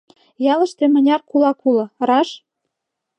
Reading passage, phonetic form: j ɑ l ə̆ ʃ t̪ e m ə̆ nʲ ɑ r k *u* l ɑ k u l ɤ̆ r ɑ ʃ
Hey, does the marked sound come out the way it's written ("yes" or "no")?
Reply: yes